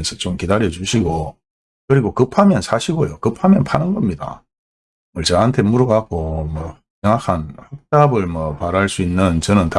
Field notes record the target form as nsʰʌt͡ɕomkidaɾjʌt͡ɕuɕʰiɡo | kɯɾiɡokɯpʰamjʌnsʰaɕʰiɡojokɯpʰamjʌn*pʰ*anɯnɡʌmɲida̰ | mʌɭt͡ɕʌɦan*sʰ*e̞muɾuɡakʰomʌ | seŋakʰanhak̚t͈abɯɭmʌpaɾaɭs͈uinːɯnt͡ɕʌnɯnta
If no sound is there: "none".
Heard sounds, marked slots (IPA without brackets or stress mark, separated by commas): pʰ, tʰ